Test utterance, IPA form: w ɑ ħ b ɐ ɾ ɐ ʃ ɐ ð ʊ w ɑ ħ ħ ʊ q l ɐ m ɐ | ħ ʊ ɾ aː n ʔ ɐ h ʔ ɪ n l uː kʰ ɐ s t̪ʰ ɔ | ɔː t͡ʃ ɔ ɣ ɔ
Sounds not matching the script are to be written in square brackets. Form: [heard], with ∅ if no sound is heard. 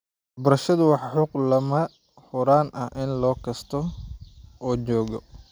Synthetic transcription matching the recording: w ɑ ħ b ɐ ɾ ɐ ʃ ɐ ð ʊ w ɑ ħ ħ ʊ q l ɐ m ɐ | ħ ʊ ɾ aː n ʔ ɐ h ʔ ɪ n l [ɔː] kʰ ɐ s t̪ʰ ɔ | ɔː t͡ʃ [ɔː] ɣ ɔ